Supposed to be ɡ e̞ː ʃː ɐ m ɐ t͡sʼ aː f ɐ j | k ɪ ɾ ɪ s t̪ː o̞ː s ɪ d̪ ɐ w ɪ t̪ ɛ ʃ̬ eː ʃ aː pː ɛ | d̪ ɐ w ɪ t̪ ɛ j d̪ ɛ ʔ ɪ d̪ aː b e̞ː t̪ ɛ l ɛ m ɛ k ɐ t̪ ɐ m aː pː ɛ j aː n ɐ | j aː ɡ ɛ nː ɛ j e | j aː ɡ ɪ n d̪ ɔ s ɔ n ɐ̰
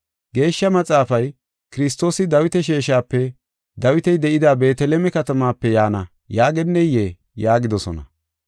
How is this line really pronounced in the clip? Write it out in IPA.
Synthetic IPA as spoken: ɡ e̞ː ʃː ɐ m ɐ t͡sʼ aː f ɐ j | k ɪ ɾ ɪ s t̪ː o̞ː s ɪ d̪ ɐ w ɪ t̪ ɛ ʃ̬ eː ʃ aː pː ɛ | d̪ ɐ w ɪ t̪ ɛ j d̪ ɛ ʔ ɪ d̪ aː b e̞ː t̪ ɛ l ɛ m ɛ k ɐ t̪ ɐ m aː pː ɛ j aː n ɐ | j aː ɡ ɛ nː ɛ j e | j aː ɡ ɪ d̪ ɔ s ɔ n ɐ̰